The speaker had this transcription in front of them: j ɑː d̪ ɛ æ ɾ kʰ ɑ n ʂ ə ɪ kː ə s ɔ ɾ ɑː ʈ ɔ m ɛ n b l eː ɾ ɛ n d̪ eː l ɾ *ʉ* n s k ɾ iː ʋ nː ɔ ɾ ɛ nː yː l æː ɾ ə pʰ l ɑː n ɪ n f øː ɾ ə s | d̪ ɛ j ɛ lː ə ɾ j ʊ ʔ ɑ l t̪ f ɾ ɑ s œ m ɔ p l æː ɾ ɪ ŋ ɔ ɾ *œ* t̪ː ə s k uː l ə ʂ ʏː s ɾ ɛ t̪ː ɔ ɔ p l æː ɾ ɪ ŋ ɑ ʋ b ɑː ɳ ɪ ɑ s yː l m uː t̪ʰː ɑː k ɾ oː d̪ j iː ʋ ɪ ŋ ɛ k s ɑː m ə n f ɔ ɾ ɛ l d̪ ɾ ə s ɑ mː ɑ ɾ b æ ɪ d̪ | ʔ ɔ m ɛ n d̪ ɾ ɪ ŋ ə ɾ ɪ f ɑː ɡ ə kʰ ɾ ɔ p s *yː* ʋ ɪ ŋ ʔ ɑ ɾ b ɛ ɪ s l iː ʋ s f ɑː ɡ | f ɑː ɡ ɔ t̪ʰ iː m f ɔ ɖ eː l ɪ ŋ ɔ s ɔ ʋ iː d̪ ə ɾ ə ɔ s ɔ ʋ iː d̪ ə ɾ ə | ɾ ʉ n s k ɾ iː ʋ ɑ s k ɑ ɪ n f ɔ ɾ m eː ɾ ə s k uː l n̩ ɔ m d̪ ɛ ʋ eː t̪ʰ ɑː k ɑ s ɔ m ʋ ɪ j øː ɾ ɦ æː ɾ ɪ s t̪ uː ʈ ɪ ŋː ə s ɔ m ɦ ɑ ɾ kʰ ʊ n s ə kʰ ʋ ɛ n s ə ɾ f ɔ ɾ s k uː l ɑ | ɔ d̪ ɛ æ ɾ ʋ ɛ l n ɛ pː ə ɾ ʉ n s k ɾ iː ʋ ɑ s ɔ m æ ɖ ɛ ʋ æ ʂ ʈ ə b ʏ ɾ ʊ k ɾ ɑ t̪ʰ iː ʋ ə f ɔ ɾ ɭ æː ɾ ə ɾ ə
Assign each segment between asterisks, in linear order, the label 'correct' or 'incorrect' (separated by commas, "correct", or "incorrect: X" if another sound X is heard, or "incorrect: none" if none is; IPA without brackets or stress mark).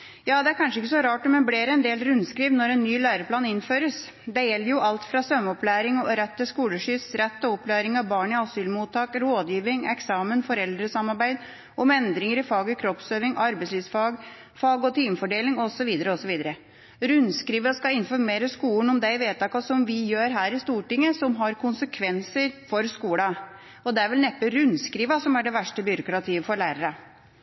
correct, incorrect: ɛ, incorrect: øː